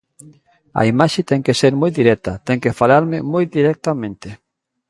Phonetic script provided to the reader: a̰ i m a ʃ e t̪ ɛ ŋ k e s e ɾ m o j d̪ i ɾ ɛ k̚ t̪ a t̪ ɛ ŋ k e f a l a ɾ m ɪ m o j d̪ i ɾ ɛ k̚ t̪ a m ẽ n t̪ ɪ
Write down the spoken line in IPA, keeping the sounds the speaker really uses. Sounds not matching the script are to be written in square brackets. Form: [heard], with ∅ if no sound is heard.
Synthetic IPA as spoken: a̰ i m a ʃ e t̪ ɛ ŋ k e s e ɾ m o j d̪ i ɾ ɛ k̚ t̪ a t̪ ɛ ŋ k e f a l a ɾ m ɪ m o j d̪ i ɾ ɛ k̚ t̪ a m ẽ n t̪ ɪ